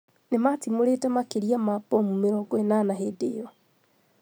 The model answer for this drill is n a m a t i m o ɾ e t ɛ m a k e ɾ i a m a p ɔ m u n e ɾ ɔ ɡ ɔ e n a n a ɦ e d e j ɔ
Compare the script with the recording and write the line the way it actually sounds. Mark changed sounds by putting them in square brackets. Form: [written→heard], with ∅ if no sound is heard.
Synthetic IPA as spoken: n [a→e] m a t i m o ɾ e t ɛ m a k e ɾ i a m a p ɔ m u [n→m] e ɾ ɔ ɡ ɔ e n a n a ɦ e d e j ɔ